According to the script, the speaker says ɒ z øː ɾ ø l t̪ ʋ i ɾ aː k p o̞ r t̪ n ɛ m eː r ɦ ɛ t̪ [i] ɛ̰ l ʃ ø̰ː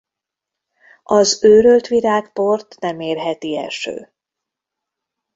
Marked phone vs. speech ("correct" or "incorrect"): correct